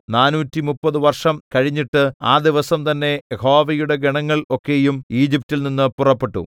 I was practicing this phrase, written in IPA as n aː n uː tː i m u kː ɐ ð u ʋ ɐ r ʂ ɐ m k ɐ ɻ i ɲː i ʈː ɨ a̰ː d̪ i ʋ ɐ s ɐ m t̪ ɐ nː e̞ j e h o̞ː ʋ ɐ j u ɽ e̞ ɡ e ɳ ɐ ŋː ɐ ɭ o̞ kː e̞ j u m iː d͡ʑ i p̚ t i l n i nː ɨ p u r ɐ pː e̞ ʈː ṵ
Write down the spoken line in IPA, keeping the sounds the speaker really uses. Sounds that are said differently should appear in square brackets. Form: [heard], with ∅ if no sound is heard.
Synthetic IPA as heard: n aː n uː tː i m u [pː] ɐ ð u ʋ ɐ r ʂ ɐ m k ɐ ɻ i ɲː i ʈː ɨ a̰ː d̪ i ʋ ɐ s ɐ m t̪ ɐ nː e̞ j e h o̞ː ʋ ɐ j u ɽ e̞ ɡ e ɳ ɐ ŋː ɐ ɭ o̞ kː e̞ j u m iː d͡ʑ i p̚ t i l n i nː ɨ p u r ɐ pː e̞ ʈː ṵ